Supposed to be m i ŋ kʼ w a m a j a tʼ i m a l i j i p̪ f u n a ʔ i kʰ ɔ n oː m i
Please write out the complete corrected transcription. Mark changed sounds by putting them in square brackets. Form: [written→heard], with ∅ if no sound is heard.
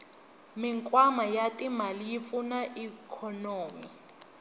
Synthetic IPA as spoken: m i ŋ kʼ w a m a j a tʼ i m a l i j i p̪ f u n a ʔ i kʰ ɔ n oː m i